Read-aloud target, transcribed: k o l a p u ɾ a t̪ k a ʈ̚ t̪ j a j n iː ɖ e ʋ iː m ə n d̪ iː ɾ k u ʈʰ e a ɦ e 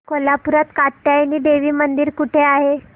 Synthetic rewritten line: k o l a p u ɾ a t̪ k a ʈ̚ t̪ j a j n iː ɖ e ʋ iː m ə n d̪ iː ɾ k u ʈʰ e a ɦ e